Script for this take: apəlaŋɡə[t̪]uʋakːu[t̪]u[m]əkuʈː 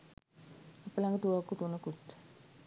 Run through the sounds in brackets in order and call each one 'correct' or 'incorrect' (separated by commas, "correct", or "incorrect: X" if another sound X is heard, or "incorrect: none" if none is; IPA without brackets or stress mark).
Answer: correct, correct, incorrect: n